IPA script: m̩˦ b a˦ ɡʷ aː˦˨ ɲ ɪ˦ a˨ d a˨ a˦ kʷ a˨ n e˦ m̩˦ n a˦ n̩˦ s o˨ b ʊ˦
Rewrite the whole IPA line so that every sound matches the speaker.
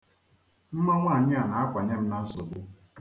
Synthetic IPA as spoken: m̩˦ m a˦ ŋʷ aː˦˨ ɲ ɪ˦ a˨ n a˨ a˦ kʷ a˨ ɲ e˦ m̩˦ n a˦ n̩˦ s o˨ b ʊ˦